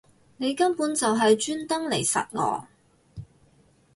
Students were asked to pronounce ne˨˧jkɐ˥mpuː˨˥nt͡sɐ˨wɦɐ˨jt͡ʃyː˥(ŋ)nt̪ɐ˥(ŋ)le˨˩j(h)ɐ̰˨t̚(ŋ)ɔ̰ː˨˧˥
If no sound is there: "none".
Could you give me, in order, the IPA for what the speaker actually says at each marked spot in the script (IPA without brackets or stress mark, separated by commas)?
none, ŋ, s, ŋ